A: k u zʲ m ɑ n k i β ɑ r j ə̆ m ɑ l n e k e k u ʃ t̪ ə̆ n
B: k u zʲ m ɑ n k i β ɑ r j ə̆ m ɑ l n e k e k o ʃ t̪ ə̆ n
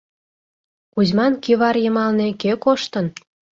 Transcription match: B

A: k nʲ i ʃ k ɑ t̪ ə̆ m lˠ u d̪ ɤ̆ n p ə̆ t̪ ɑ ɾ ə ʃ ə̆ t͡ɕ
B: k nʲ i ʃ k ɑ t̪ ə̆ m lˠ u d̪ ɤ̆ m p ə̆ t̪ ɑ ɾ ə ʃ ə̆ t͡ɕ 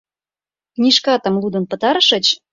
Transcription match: A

